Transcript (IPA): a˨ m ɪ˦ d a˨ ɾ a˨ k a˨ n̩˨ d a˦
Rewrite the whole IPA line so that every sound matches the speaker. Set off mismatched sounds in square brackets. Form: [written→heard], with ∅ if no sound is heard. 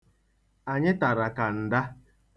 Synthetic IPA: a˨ [m→ɲ] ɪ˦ [d→t] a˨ ɾ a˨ k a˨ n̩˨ d a˦